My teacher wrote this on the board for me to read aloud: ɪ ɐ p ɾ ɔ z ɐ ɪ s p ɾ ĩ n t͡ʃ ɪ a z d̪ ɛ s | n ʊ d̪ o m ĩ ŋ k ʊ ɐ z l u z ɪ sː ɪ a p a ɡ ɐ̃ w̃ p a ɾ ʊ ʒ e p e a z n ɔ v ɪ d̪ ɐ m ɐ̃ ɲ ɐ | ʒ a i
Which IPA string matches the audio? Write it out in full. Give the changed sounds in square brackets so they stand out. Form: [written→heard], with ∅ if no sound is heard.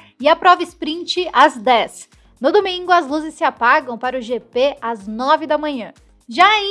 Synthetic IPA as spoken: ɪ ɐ p ɾ ɔ [z→v] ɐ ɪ s p ɾ ĩ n t͡ʃ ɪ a z d̪ ɛ s | n ʊ d̪ o m ĩ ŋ [k→ɡ] ʊ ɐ z l u z ɪ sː ɪ a p a ɡ ɐ̃ w̃ p a ɾ ʊ ʒ e p e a z n ɔ v ɪ d̪ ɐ m ɐ̃ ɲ [ɐ→ɐ̃] | ʒ a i